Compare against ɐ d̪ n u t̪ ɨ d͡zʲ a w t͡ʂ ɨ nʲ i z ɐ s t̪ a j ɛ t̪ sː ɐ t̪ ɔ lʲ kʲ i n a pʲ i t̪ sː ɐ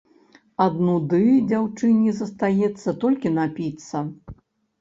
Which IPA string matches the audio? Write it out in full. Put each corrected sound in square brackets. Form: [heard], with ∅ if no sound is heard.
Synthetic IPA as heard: ɐ d̪ n u [d̪] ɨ d͡zʲ a w t͡ʂ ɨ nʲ i z ɐ s t̪ a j ɛ t̪ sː ɐ t̪ ɔ lʲ kʲ i n a pʲ i t̪ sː ɐ